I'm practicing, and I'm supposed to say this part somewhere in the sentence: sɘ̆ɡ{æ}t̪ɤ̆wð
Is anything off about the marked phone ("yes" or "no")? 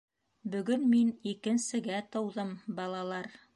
no